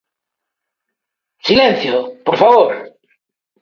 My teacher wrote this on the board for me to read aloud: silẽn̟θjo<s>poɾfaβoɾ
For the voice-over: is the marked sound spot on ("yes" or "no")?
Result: no